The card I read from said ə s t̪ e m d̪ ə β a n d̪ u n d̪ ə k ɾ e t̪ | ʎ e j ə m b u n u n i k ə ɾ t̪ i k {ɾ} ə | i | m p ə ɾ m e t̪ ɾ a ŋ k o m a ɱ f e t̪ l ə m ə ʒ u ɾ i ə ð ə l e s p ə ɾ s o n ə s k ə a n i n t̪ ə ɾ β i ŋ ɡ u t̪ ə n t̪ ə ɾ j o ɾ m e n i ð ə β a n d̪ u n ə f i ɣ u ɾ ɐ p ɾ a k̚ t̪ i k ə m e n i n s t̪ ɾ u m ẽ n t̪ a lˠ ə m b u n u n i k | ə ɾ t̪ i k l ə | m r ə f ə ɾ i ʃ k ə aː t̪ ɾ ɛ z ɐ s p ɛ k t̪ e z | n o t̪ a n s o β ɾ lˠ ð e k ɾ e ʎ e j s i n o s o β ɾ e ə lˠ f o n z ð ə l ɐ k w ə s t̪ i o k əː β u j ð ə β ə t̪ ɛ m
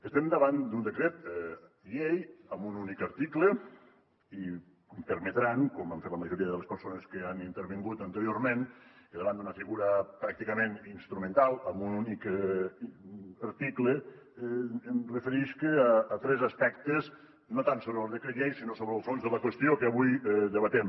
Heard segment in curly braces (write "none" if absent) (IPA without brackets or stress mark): l